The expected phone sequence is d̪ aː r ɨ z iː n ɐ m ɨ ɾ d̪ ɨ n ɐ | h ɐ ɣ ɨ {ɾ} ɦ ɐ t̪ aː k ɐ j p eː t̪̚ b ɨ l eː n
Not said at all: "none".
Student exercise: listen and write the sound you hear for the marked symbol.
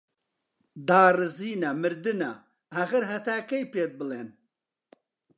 ɾ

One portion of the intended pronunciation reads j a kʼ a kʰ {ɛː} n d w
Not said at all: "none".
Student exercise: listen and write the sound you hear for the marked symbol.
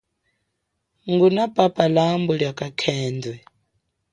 ɛː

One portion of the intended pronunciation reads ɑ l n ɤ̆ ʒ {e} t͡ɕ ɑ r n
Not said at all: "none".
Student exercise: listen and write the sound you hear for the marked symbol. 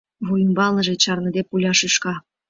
e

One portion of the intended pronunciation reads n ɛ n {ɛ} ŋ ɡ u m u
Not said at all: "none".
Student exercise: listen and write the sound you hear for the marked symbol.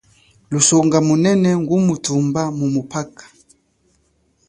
ɛ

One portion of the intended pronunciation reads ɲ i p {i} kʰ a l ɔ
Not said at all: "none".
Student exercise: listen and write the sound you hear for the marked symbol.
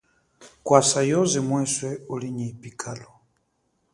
i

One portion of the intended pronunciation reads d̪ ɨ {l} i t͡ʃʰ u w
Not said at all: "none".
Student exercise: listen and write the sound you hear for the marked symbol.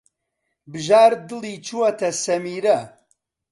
l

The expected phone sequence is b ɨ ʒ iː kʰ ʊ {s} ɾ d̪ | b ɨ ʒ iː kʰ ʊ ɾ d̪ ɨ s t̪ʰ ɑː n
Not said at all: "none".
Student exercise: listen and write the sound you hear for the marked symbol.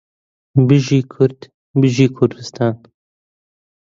none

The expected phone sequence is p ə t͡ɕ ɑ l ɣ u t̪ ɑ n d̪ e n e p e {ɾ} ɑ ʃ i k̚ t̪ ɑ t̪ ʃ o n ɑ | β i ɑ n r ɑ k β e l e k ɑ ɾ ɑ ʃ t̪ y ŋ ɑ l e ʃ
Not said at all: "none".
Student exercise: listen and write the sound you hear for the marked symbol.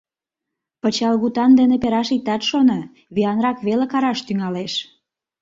ɾ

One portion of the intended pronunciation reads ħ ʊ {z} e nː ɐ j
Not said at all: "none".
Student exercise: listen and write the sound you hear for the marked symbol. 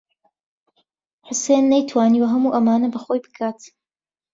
s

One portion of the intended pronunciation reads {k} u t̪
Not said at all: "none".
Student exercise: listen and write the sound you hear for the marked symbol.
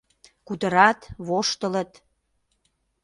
k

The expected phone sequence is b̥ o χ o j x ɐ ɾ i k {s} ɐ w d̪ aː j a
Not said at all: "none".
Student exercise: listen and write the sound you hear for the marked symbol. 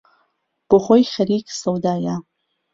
s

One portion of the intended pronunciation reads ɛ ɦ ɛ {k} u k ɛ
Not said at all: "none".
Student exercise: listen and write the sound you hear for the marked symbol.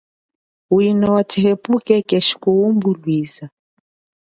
p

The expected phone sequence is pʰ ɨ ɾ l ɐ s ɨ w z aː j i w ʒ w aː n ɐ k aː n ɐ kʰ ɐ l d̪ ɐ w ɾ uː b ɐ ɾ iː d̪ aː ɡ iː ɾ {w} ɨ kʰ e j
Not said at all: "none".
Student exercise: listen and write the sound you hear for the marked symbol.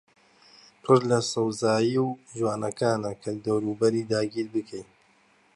b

